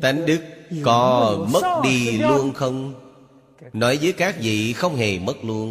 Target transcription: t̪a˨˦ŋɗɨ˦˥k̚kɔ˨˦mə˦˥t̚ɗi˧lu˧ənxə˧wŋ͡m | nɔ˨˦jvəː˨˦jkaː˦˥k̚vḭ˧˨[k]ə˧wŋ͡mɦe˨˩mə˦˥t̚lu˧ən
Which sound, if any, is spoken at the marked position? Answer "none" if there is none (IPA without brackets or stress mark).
x